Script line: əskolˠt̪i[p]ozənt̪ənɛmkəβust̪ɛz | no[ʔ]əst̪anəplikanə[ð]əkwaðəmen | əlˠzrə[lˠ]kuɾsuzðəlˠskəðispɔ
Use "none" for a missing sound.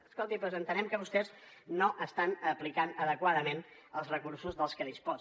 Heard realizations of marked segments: p, ʔ, ð, none

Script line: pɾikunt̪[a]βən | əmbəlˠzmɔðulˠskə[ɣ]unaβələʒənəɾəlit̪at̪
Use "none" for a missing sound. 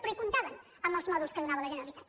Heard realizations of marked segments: a, ð

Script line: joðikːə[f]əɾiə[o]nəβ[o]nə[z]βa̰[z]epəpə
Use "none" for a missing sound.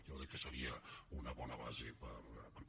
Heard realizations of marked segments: s, u, ɔ, none, z

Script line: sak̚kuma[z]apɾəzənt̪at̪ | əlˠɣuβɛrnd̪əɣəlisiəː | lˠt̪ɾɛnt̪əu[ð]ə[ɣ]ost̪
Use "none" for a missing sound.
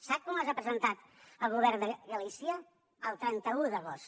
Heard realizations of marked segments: z, ð, ɣ

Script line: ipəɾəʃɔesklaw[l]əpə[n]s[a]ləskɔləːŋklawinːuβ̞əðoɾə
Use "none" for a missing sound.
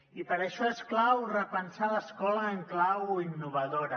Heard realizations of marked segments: r, n, a

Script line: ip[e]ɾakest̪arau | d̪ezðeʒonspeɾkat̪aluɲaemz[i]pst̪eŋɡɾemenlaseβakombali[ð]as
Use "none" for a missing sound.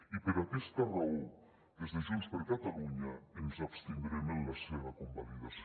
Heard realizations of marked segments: e, a, ð

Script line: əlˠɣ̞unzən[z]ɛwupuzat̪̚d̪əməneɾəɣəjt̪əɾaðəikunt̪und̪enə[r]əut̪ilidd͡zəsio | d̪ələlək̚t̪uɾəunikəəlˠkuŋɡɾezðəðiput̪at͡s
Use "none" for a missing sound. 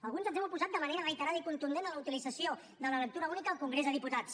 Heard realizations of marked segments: z, l

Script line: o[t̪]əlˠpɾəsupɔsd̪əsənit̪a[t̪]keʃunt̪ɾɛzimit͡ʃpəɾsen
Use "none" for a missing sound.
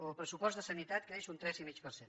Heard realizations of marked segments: none, t̪

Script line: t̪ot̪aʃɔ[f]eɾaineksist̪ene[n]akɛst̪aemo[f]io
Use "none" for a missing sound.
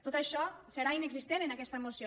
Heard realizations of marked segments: s, n, s

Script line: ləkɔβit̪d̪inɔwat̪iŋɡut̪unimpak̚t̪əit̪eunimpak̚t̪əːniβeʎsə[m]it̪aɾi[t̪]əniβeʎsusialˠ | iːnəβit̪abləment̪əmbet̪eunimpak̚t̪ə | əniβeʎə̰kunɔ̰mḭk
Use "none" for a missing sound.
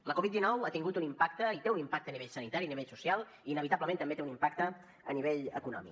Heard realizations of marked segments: n, none

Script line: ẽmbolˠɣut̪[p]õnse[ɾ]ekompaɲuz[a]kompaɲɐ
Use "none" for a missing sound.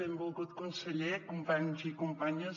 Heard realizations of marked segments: k, ʎ, i

